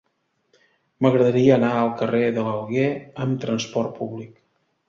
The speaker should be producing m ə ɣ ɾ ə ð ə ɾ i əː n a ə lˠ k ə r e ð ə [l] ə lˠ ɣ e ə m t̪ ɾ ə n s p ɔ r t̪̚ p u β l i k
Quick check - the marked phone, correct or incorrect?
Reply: correct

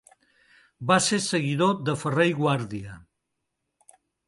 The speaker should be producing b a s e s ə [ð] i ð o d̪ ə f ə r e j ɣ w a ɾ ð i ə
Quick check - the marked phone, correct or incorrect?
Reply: incorrect: ɣ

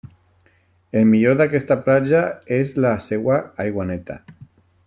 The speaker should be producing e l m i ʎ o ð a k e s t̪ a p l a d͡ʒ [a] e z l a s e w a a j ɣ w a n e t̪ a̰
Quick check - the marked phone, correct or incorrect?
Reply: correct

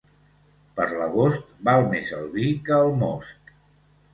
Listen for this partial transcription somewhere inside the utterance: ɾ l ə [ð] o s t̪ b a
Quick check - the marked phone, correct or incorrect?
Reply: incorrect: ɣ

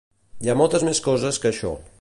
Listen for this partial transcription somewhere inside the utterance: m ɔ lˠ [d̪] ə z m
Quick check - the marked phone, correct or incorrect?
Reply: incorrect: t̪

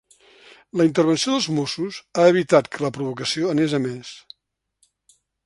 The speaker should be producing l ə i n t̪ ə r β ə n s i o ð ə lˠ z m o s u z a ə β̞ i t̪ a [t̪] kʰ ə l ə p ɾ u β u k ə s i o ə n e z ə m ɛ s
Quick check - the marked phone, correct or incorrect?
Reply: correct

